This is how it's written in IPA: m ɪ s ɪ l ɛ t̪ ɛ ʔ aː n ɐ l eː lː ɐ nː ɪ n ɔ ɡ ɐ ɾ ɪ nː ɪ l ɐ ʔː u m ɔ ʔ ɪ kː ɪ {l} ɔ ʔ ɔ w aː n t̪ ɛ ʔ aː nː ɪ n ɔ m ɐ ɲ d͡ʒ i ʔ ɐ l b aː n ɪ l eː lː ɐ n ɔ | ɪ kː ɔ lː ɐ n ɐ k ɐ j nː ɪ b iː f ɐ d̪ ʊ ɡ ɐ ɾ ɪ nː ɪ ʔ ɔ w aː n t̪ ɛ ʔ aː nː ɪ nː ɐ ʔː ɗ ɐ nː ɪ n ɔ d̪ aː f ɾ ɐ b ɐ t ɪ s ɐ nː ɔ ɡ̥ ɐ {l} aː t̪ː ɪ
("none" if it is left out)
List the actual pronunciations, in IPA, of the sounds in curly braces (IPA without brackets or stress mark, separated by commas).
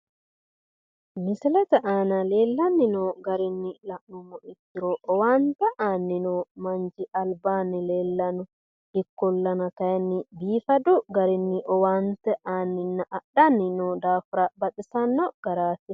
ɾ, ɾ